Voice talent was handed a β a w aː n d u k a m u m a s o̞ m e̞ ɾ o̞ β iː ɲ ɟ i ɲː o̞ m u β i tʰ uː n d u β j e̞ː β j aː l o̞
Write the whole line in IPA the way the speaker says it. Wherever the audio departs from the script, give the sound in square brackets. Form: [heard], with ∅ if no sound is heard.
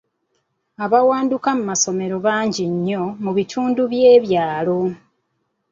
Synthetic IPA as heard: a β a w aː n d u k a m u m a s o̞ m e̞ ɾ o̞ β [aː] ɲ ɟ i ɲː o̞ m u β i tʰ uː n d u β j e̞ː β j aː l o̞